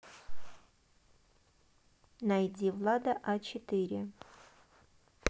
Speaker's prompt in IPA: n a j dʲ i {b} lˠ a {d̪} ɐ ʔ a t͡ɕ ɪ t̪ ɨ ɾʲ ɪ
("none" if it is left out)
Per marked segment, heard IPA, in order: v, d̪

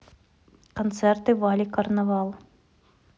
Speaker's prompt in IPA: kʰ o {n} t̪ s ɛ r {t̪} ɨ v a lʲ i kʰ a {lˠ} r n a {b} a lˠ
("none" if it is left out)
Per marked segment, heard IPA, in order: n, t̪, none, v

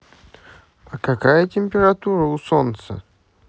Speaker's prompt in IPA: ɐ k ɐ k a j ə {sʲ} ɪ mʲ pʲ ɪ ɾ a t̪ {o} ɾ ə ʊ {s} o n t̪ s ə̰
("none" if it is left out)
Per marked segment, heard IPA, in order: tʲ, u, s

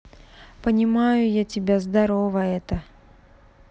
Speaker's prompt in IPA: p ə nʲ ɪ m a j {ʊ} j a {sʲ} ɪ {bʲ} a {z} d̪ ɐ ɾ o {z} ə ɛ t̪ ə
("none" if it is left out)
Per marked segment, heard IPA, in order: ʊ, tʲ, bʲ, z, v

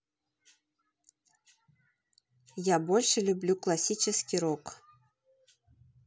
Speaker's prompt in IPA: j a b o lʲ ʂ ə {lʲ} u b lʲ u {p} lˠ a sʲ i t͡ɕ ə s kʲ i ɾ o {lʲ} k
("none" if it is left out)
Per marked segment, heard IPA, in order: lʲ, k, none

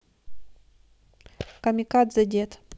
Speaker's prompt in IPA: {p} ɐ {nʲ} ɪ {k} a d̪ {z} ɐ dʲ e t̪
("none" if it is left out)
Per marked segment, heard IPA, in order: k, mʲ, k, z

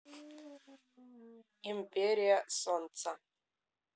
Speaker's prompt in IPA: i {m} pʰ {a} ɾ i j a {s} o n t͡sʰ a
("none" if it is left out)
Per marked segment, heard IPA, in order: m, e, s

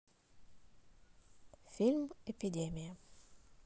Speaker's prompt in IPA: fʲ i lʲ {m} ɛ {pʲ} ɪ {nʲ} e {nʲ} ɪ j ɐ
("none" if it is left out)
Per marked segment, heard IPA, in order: m, pʲ, dʲ, mʲ

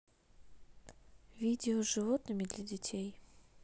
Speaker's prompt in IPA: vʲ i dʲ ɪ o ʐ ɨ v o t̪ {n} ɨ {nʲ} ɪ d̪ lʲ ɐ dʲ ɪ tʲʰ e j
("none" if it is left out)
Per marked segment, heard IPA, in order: n, mʲ

